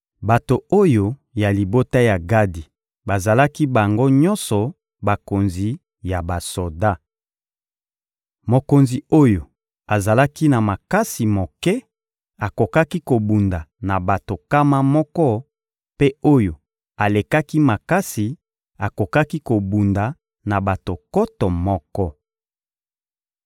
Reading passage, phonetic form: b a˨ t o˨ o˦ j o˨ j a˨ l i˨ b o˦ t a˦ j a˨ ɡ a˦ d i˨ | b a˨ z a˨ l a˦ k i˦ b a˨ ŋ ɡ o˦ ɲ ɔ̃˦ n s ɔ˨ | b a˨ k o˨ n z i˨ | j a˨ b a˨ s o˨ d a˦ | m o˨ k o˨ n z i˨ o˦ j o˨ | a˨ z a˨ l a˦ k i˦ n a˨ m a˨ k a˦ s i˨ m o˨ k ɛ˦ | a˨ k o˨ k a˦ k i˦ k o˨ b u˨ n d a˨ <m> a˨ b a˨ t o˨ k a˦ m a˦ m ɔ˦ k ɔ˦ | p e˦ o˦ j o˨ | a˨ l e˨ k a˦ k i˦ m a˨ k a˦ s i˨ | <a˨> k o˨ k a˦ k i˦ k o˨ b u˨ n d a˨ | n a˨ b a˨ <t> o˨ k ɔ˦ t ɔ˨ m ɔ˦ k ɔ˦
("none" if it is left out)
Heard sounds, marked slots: n, a˨, t

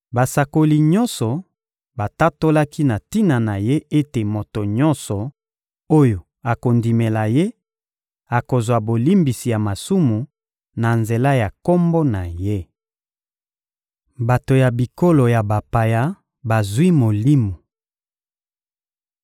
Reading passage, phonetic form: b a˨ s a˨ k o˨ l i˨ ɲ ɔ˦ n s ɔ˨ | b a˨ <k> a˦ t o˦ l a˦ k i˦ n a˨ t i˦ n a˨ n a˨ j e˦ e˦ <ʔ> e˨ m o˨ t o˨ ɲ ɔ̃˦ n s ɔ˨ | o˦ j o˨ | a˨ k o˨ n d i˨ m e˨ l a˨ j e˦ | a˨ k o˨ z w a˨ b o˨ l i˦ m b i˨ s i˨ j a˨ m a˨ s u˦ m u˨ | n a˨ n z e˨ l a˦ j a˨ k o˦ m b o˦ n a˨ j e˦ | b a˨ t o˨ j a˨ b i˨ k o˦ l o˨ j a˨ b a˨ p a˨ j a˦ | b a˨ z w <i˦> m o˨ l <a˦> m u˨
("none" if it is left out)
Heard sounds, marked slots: t, t, i˦, i˦

